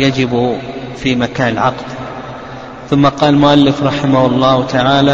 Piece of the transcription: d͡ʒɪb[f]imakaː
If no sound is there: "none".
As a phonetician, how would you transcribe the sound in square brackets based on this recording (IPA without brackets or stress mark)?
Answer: f